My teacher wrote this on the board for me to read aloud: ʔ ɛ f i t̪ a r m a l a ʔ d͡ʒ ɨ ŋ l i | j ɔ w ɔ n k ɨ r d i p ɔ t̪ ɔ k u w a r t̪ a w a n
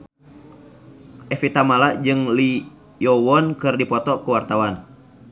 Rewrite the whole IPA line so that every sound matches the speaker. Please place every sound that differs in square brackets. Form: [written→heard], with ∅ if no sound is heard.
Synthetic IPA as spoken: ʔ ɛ f i t̪ a [r→∅] m a l a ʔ d͡ʒ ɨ ŋ l i | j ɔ w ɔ n k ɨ r d i p ɔ t̪ ɔ k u w a r t̪ a w a n